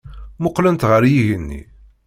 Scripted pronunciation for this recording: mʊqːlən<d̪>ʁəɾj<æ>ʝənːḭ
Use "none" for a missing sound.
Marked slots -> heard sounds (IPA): t̪, i

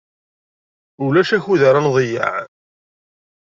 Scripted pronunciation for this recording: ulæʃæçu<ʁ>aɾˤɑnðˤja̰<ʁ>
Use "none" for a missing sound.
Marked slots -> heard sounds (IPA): ð, ʕ

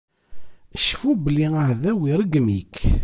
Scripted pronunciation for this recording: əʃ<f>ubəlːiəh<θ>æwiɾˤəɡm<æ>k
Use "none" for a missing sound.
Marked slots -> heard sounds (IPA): f, ð, i

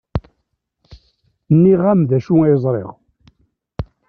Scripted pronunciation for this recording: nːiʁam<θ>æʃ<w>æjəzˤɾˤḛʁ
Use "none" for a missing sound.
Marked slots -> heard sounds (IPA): ð, u

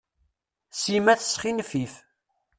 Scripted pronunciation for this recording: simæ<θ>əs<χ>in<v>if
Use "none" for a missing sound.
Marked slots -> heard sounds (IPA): θ, χ, f

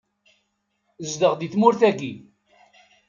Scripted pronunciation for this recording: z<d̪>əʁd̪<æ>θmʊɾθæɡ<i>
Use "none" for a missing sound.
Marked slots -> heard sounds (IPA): d̪, i, i

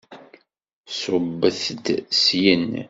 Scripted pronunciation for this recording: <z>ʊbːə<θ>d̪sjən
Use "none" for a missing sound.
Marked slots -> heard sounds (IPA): s, θ

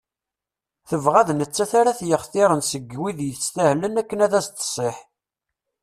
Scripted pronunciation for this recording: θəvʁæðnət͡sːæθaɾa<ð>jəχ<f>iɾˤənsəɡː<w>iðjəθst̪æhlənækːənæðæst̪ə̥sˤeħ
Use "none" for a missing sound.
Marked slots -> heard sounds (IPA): θ, θ, w

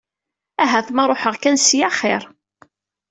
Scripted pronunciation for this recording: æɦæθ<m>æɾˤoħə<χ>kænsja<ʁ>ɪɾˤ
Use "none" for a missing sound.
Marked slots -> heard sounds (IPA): m, ʁ, χ

